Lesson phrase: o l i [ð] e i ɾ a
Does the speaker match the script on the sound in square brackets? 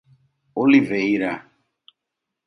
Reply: no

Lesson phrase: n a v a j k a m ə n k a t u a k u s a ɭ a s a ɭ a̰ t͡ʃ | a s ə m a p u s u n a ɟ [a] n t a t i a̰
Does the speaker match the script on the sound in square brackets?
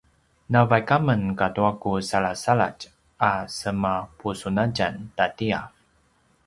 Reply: yes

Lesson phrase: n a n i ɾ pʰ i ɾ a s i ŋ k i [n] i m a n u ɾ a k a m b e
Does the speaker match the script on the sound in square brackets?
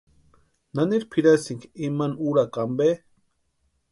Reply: no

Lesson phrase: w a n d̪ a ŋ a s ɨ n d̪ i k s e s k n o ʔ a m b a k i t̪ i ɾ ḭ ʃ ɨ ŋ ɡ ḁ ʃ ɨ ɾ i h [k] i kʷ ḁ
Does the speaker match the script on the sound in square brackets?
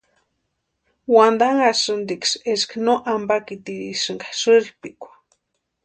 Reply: no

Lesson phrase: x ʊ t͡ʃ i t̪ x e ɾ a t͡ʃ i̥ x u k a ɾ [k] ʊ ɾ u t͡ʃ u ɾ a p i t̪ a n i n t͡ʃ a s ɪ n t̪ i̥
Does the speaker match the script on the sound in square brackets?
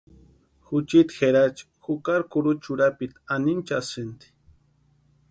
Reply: yes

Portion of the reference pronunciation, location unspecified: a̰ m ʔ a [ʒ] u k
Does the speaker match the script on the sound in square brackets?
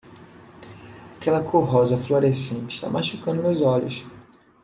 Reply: no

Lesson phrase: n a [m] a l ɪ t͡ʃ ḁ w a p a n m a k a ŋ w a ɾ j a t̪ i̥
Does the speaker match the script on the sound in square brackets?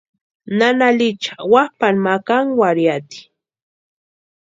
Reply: no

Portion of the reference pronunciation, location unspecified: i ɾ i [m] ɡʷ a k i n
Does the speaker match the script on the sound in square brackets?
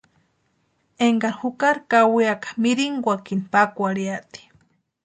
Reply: no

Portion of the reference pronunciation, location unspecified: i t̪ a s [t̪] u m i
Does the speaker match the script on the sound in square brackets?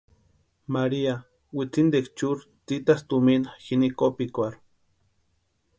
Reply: yes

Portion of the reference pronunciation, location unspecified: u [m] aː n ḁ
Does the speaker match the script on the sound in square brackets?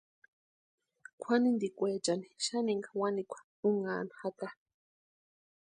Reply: no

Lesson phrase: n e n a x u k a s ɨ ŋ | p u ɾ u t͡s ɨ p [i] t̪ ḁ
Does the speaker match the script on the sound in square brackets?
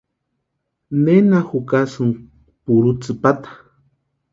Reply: no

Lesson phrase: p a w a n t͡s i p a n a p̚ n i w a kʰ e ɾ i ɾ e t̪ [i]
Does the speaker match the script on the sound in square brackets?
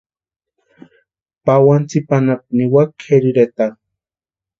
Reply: no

